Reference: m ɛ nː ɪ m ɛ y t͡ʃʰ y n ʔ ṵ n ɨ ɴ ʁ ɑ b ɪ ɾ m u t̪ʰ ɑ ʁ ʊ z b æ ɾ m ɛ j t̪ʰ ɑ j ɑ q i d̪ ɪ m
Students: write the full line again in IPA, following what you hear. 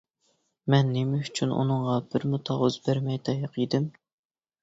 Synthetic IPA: m ɛ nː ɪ m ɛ y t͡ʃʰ y n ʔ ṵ n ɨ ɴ ʁ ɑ b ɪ ɾ m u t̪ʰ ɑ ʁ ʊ z b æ ɾ m ɛ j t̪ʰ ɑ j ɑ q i d̪ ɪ m